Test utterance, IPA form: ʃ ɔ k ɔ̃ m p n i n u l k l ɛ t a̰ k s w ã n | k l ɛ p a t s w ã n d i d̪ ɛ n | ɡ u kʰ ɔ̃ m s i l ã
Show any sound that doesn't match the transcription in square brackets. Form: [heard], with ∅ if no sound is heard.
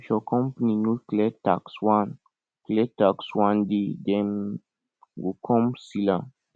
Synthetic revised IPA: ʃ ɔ k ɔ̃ m p n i n u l k l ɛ t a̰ k s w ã n | k l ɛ [t] a [k] s w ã n d i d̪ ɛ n | ɡ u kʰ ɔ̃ m s i l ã